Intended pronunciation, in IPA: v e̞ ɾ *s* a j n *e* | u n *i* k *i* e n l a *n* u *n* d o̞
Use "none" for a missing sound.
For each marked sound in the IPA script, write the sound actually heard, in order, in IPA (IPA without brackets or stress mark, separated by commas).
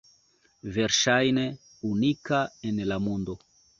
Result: ʃ, e, i, a, m, n